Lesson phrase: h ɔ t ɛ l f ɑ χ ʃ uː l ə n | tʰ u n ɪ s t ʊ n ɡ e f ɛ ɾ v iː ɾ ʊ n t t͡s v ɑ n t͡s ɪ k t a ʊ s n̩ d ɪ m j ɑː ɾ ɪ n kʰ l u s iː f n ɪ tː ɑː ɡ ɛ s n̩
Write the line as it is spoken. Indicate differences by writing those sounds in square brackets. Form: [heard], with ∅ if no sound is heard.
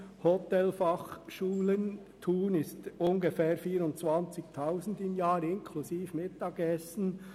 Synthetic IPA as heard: h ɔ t ɛ l f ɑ χ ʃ uː l ə n | tʰ [uː] n ɪ s t ʊ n ɡ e f [ɛː] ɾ [f] iː ɾ ʊ n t t͡s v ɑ n t͡s ɪ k [tʰ] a ʊ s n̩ d ɪ m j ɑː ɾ ɪ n kʰ l u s iː f [m] ɪ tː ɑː ɡ ɛ s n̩